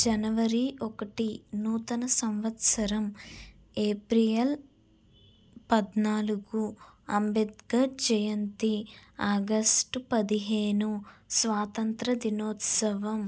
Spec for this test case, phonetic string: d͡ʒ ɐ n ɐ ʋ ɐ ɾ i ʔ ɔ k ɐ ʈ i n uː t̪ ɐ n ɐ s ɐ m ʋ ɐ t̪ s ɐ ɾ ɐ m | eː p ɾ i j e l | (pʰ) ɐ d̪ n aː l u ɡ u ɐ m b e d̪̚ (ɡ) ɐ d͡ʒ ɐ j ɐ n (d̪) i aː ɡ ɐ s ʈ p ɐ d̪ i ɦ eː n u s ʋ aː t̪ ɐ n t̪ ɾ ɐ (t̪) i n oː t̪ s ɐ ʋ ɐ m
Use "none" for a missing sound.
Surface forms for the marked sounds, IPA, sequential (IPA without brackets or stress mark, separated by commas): p, ɡ, t̪, d̪